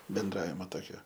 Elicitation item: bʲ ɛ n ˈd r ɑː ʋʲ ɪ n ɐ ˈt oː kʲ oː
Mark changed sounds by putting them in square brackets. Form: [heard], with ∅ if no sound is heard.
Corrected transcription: bʲ ɛ n ˈd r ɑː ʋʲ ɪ [m] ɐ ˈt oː kʲ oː